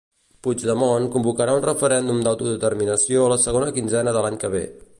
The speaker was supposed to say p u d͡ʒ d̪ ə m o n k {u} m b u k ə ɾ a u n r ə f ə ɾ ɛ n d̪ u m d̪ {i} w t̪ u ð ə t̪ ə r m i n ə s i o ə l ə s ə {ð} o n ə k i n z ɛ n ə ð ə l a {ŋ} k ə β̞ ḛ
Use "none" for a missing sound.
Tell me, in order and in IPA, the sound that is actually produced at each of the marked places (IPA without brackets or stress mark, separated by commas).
u, a, ɣ, ɲ